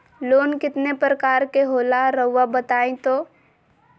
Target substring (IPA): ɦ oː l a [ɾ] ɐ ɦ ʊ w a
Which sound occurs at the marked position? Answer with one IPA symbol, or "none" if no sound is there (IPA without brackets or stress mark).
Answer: ɾ